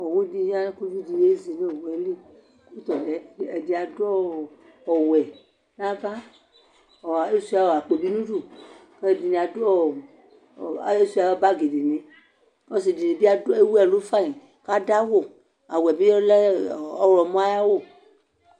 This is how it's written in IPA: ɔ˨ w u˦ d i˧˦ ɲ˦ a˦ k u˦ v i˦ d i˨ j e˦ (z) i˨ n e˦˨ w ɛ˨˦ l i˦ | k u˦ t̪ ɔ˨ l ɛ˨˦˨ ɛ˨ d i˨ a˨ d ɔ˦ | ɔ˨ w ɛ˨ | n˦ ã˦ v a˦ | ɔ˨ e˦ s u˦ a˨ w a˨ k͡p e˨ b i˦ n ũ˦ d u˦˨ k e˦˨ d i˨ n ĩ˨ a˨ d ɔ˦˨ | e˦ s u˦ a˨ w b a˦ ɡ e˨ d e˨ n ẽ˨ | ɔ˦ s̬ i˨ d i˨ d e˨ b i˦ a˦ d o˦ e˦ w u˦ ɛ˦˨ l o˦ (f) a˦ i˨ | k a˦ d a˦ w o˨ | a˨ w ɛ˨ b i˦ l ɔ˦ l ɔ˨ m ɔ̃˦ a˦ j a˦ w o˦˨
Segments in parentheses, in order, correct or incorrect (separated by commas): correct, correct